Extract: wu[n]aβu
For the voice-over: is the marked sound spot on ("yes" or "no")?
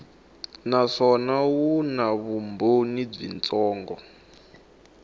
yes